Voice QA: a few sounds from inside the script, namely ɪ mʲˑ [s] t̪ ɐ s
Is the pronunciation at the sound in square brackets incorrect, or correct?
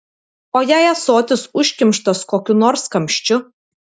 incorrect